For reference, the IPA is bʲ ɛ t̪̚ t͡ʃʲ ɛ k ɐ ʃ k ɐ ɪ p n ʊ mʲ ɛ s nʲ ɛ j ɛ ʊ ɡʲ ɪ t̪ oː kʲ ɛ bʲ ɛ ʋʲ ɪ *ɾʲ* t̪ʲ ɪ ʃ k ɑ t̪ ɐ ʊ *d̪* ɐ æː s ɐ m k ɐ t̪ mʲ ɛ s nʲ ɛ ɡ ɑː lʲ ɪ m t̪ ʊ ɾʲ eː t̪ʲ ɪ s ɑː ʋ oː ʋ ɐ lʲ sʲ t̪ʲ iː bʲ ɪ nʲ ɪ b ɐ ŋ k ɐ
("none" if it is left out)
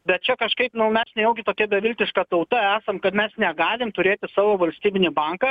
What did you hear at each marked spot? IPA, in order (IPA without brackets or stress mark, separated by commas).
lʲ, t̪